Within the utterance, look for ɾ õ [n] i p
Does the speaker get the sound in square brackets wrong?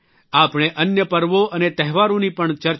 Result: no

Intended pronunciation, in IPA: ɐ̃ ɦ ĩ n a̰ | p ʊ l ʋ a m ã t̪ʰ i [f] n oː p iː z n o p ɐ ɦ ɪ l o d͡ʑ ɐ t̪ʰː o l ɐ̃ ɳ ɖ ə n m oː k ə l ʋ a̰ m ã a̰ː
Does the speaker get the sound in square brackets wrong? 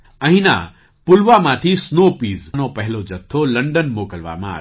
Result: yes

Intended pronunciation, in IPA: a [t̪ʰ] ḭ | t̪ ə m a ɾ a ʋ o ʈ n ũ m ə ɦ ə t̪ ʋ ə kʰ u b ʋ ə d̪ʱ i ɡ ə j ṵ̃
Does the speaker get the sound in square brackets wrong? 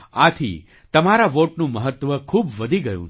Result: no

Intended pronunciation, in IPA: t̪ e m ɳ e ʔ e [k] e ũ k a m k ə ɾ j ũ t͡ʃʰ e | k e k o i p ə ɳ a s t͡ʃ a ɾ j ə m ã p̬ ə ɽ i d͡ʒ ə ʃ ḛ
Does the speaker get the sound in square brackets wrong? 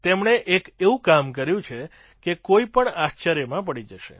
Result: no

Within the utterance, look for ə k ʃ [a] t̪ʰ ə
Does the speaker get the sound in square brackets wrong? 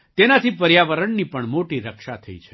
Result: no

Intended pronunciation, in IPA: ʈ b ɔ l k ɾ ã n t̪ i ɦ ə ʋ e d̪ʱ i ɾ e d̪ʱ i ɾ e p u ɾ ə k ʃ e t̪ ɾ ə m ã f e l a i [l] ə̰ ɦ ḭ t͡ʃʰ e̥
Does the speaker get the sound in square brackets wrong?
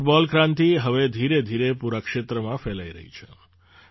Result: yes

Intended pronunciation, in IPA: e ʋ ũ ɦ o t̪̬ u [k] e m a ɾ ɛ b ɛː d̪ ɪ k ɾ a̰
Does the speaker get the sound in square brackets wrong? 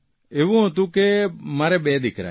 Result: no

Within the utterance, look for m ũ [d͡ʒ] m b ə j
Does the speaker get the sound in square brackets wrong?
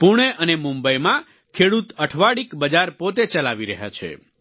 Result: yes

